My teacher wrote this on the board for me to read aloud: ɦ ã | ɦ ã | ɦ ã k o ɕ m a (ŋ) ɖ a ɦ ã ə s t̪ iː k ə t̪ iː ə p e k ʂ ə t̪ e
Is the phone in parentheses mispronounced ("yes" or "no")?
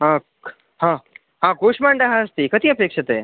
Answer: yes